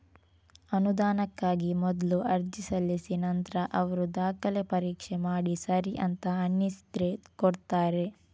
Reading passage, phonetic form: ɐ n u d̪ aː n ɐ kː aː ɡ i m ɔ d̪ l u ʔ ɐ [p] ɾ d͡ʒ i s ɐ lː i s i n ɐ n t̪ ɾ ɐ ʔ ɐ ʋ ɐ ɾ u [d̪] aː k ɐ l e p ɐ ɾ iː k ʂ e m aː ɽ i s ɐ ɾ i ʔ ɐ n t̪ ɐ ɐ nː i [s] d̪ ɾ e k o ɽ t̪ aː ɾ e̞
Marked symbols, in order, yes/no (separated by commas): no, yes, yes